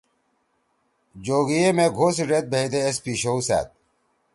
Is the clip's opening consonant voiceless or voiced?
voiced